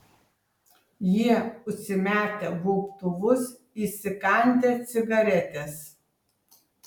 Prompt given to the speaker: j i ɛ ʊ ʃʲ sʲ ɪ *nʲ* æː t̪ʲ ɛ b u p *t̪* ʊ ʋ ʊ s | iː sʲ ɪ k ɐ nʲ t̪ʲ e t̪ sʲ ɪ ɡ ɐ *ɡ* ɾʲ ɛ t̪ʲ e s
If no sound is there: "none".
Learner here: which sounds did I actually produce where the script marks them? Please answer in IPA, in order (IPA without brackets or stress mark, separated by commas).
mʲ, t̪, none